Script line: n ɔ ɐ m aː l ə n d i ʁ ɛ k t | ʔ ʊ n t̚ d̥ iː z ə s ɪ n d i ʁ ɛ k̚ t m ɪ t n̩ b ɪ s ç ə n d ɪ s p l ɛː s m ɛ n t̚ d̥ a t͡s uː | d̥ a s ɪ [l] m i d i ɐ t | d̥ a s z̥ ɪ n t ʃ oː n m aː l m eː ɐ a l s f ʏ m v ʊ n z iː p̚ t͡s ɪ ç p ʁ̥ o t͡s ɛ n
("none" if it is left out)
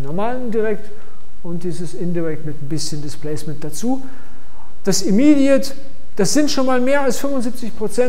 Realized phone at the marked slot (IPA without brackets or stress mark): none